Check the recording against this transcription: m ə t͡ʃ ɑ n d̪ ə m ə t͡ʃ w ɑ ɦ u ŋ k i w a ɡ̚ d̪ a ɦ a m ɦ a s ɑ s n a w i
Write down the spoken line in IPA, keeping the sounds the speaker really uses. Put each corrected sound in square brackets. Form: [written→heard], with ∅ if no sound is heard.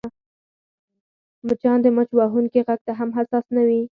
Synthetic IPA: m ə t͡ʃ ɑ n d̪ ə m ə t͡ʃ w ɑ ɦ u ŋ k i [w→ɣ] a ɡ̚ [d̪→t̪] a ɦ a m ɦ a s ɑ s n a w i

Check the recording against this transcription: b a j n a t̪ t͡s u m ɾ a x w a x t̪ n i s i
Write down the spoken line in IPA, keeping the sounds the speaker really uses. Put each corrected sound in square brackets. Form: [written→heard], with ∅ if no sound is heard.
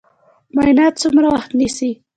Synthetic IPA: [b→m] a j n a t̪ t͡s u m ɾ a [x→∅] w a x t̪ n i s i

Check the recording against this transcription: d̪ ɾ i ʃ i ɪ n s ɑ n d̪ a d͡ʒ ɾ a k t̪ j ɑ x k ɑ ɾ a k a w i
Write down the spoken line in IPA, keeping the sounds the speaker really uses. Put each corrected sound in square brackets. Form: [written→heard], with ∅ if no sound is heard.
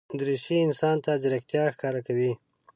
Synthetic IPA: d̪ ɾ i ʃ i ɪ n s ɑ n [d̪→t̪] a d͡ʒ ɾ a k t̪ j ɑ x k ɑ ɾ a k a w i

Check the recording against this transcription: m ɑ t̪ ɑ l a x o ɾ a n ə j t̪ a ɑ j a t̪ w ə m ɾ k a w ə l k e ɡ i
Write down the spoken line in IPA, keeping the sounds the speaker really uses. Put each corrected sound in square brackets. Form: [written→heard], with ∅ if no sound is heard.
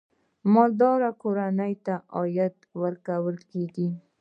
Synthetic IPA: m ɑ [t̪→d̪] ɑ [l→ɾ] a [x→k] o ɾ a n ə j t̪ a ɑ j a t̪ w ə [m→∅] ɾ k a w ə l k e ɡ i

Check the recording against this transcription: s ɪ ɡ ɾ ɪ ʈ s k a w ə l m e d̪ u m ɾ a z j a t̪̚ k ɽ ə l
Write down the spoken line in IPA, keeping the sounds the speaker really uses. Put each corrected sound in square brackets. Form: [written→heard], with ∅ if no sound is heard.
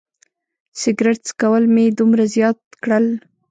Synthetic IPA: s ɪ ɡ ɾ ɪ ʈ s k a w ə l m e d̪ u m ɾ a z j [a→ɑ] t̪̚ k ɽ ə l

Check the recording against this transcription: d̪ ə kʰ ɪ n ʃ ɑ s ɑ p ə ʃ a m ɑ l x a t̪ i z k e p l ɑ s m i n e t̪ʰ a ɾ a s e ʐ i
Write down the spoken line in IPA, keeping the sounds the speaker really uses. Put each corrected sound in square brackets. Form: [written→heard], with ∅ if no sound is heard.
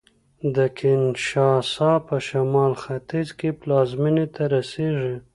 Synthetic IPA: d̪ ə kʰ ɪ n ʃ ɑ s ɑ p ə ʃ a m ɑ l x a t̪ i z k e p l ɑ [s→z] m i n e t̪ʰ a ɾ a s e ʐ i

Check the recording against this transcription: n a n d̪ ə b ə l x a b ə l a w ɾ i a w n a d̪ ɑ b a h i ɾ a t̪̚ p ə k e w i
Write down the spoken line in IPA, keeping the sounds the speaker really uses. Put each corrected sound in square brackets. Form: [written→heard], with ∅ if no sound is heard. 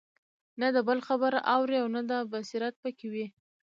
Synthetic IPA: n a [n→∅] d̪ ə b ə l x a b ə [l→ɾ] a w ɾ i a w n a d̪ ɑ b a [h→s] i ɾ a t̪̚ p ə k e w i

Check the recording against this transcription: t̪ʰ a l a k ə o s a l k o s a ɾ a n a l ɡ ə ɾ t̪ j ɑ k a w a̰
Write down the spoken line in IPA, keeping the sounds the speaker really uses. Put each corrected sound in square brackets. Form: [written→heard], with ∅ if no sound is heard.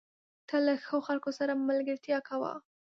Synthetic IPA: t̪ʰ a l a [k→x] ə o [s→x] a l k o s a ɾ a [n→m] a l ɡ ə ɾ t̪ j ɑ k a w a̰

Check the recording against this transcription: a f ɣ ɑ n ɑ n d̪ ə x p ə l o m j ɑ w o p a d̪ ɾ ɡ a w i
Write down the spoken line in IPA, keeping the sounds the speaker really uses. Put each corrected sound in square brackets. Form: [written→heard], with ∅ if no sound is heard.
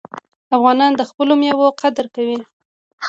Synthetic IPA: a f ɣ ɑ n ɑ n d̪ ə x p ə l o m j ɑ w o [p→q] a d̪ ɾ [ɡ→k] a w i

